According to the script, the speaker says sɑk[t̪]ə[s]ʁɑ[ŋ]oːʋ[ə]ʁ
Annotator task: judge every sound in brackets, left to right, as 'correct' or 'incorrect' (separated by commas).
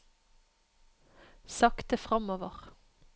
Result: correct, incorrect, incorrect, correct